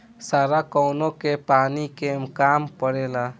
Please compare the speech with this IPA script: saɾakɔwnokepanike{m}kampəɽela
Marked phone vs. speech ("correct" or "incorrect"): correct